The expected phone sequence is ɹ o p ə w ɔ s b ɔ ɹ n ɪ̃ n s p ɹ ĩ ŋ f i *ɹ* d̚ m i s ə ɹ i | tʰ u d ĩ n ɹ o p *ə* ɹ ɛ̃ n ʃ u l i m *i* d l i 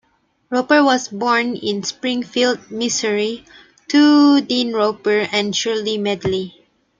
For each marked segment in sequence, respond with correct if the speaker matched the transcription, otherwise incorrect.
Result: incorrect, correct, incorrect

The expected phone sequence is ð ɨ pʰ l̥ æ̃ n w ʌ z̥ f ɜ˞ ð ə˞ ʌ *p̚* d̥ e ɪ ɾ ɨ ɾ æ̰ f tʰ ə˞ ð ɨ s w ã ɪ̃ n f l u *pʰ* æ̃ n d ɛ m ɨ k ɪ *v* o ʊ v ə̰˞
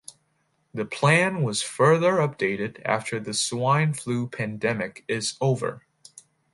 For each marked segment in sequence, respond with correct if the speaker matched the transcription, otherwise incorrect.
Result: correct, correct, incorrect

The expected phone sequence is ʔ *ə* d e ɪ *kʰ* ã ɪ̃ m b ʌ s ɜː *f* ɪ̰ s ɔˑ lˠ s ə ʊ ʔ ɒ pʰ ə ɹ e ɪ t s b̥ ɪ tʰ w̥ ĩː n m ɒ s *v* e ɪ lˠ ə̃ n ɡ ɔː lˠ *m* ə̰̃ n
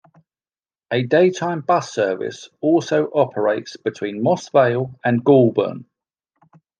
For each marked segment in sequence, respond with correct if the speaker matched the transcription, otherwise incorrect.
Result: correct, incorrect, incorrect, correct, incorrect

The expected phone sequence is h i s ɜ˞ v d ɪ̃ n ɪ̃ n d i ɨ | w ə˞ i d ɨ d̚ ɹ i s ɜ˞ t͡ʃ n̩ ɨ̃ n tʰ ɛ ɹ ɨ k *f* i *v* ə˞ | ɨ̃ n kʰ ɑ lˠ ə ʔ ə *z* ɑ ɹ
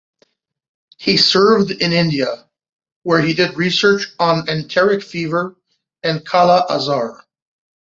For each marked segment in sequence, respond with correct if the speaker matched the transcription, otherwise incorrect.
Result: correct, correct, correct

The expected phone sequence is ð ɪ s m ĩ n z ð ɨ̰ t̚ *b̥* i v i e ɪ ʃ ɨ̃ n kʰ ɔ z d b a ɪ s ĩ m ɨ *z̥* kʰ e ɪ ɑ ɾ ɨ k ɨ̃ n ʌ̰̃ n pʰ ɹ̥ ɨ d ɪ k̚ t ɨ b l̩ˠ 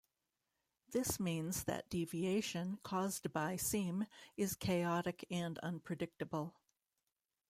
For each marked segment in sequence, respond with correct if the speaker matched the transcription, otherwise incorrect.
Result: incorrect, correct

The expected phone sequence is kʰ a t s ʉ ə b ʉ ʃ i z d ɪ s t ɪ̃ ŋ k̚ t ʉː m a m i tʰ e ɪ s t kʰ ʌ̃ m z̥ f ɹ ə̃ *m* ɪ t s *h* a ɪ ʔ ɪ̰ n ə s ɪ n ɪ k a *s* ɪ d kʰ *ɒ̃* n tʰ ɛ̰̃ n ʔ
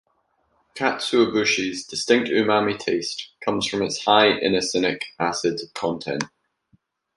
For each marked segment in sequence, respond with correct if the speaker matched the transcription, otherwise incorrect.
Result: correct, correct, correct, correct

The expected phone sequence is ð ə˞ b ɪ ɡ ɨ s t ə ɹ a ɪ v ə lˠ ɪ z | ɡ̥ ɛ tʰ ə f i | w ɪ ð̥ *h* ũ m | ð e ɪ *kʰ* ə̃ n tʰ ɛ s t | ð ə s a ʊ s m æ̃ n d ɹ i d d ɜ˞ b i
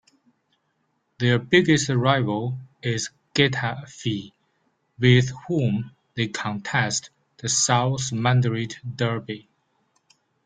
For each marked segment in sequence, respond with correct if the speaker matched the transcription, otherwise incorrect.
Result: correct, correct

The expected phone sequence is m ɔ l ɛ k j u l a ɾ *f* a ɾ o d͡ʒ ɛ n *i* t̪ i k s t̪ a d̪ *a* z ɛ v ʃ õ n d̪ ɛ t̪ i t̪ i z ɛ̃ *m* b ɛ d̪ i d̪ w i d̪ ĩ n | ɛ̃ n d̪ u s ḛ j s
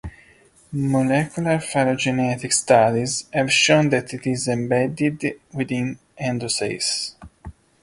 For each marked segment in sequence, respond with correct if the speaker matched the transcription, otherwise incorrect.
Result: correct, incorrect, incorrect, correct

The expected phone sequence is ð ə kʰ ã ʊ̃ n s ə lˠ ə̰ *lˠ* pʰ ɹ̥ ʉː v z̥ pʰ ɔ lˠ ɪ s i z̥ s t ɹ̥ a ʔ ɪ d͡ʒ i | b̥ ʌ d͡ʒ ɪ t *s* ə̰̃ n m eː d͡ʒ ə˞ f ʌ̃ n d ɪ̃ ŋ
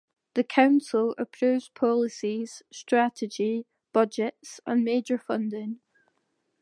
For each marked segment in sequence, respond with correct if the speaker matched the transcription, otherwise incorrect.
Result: incorrect, correct

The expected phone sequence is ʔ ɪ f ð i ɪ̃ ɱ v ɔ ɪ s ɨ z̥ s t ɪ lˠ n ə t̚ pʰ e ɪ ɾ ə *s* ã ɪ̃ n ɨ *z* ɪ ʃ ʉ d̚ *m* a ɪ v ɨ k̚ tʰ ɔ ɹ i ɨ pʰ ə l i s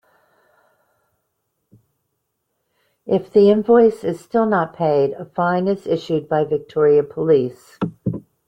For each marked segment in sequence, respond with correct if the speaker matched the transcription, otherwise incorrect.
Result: incorrect, correct, incorrect

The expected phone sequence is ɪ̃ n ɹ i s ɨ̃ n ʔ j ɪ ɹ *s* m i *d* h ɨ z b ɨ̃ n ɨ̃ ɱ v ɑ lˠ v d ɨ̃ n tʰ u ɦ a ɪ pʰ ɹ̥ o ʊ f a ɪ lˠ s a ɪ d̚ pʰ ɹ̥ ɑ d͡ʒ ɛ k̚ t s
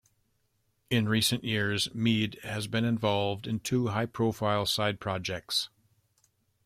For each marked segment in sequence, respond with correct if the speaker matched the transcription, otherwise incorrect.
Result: incorrect, correct

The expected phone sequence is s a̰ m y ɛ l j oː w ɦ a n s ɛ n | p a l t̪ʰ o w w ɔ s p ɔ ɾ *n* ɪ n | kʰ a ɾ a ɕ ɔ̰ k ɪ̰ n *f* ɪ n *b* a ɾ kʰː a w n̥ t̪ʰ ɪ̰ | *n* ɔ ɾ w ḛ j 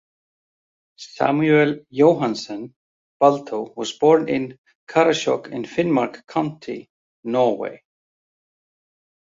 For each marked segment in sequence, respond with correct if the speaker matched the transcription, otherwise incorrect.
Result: correct, correct, incorrect, correct

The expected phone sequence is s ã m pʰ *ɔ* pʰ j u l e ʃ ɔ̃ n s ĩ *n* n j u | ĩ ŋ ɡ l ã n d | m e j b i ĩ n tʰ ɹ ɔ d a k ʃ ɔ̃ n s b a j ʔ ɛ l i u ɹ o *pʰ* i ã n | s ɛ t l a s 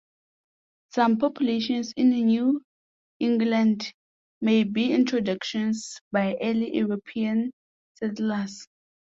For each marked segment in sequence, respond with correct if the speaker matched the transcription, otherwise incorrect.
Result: correct, correct, correct

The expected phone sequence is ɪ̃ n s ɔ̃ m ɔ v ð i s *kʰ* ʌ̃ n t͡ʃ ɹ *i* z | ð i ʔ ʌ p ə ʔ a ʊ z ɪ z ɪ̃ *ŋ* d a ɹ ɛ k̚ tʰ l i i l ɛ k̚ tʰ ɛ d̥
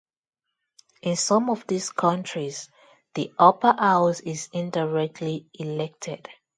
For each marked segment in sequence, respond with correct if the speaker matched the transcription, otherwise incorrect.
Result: correct, correct, incorrect

